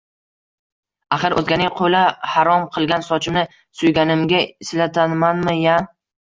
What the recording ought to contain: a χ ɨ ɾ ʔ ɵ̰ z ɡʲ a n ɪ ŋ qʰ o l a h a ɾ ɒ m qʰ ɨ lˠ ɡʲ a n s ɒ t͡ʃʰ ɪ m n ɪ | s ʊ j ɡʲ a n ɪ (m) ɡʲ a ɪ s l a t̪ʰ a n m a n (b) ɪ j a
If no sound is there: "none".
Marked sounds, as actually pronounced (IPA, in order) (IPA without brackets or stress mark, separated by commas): m, m